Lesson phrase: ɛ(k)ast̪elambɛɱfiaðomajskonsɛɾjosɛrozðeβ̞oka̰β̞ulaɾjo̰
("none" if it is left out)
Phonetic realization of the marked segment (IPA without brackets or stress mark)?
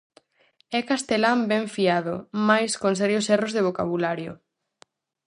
k